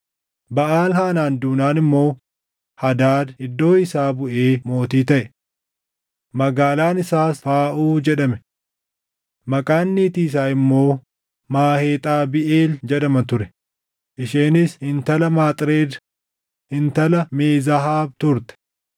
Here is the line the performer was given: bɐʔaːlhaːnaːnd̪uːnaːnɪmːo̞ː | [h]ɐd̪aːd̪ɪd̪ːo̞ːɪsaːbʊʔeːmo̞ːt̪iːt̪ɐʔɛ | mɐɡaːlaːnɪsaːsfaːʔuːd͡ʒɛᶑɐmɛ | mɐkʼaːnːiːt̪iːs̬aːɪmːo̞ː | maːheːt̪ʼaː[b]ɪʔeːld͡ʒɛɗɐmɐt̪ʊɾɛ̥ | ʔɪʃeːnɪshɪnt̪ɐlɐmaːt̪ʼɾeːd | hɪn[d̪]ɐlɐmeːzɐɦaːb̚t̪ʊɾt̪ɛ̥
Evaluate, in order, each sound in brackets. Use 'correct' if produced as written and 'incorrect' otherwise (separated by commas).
correct, correct, incorrect